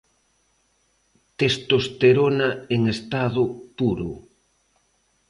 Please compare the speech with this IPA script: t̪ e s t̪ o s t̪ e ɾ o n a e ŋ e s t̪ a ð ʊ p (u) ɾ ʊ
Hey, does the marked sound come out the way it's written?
yes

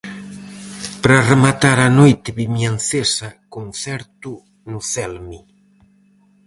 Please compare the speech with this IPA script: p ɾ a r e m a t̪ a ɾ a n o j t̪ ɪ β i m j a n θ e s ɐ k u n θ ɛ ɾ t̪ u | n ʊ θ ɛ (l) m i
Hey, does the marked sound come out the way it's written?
yes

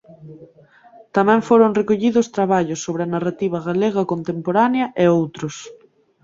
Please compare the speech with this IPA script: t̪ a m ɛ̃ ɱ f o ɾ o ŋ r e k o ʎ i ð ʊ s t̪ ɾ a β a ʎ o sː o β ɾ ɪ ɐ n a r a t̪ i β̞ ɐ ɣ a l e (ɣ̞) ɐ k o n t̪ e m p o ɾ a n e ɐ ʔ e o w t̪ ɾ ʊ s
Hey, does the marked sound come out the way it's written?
yes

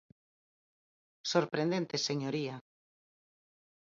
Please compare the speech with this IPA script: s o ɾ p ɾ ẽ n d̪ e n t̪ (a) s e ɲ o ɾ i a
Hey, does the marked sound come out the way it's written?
no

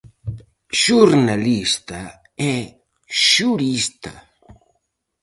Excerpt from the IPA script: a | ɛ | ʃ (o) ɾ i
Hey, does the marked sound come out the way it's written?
no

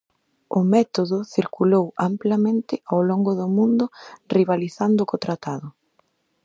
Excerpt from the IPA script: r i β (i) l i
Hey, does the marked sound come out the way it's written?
no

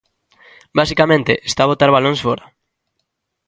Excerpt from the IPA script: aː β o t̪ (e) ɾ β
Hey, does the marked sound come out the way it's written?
no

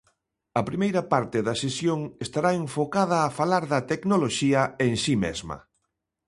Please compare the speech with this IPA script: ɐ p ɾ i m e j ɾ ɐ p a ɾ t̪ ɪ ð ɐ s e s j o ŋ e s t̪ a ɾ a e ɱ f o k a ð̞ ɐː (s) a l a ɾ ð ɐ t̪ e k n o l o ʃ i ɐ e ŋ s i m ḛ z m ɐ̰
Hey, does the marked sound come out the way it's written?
no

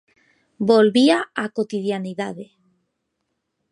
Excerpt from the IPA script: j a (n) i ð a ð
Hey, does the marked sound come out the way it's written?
yes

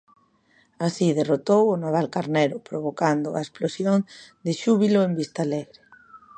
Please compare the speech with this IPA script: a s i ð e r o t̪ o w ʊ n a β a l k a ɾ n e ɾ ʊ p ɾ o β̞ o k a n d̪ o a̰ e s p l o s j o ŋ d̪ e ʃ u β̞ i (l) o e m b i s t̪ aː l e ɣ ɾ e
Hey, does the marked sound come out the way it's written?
yes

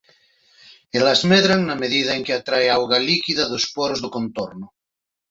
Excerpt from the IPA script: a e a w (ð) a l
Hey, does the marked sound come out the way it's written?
no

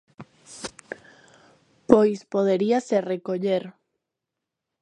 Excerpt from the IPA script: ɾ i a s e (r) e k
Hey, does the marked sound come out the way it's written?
yes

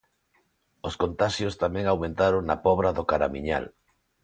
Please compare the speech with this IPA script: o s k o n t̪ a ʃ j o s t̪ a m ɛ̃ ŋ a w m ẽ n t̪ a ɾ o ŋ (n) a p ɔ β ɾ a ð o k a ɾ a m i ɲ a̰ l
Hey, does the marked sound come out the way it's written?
yes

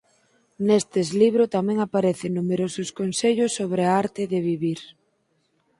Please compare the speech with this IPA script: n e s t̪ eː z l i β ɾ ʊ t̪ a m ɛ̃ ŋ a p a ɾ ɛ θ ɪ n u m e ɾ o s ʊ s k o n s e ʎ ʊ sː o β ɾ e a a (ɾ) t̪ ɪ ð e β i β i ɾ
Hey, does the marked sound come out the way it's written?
yes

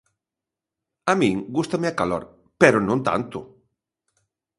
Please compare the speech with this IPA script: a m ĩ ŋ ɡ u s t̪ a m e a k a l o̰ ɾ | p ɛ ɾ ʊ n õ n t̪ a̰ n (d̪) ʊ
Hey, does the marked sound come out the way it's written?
no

